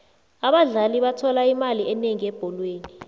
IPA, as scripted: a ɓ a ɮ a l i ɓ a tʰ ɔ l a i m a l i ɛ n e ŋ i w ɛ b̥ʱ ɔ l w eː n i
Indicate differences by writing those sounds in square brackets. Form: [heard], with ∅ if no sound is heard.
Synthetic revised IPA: a ɓ a ɮ a l i ɓ a tʰ ɔ l a i m a l i ɛ n e ŋ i [∅] ɛ b̥ʱ ɔ l w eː n i